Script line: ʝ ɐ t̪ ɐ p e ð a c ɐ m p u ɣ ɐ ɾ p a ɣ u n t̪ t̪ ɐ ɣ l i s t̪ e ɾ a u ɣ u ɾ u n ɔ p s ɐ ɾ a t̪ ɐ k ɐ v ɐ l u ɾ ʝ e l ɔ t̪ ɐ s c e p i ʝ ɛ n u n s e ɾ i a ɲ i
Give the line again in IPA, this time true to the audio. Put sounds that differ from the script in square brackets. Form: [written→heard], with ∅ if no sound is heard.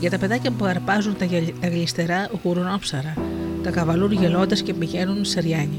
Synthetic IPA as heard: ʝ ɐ t̪ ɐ p e ð a c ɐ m p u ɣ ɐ ɾ p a [ɣ→z] u n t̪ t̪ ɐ ɣ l i s t̪ e ɾ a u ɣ u ɾ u n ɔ p s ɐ ɾ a t̪ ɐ k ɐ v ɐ l u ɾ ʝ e l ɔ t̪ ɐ s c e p i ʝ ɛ n u n s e ɾ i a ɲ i